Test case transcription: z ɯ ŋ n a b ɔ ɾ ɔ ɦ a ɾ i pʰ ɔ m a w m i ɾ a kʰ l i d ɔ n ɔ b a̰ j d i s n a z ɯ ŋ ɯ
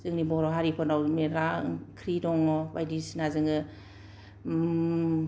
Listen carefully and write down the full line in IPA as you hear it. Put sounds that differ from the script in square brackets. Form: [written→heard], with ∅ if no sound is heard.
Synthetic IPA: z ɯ ŋ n [a→i] b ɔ ɾ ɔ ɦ a ɾ i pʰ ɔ [m→n] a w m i ɾ a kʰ [l→ɾ] i d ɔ [n→ŋ] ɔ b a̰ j d i s n a z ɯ ŋ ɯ